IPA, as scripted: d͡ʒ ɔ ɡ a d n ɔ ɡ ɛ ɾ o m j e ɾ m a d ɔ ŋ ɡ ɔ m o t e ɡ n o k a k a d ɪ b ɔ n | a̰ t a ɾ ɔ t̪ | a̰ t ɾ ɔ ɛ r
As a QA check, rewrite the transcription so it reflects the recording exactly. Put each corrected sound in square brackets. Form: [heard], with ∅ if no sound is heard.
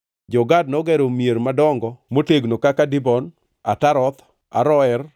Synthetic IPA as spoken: d͡ʒ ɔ ɡ a d n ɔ ɡ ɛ ɾ o m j e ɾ m a d ɔ ŋ ɡ ɔ m o t e ɡ n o k a k a d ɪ b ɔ n | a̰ t a ɾ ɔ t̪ | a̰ [∅] ɾ ɔ ɛ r

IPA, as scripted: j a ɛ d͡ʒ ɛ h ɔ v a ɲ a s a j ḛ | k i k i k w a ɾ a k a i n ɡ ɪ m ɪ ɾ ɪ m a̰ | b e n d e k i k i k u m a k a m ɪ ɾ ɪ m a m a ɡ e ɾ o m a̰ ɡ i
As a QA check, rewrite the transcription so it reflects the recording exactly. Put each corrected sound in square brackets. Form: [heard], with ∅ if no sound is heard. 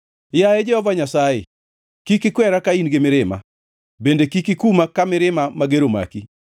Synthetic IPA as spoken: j a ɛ d͡ʒ ɛ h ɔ v a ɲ a s a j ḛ | k i k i k w [ɛ] ɾ a k a i n ɡ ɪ m ɪ ɾ ɪ m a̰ | b e n d e k i k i k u m a k a m ɪ ɾ ɪ m a m a ɡ e ɾ o m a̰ [k] i

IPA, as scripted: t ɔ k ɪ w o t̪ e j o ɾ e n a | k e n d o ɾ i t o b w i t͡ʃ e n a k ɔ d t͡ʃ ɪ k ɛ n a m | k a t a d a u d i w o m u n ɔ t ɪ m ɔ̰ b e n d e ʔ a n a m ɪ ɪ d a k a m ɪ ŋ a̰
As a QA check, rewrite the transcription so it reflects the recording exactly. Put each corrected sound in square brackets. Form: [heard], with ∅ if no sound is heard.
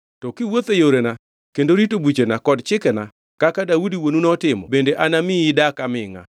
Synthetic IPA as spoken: t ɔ k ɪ w o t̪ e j o ɾ e n a | k e n d o ɾ i t o b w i t͡ʃ e n a k ɔ d t͡ʃ ɪ k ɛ n a [∅] | k a [k] a d a u d i w o [n] u n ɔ t ɪ m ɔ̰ b e n d e ʔ a n a m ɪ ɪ d a k a m ɪ ŋ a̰

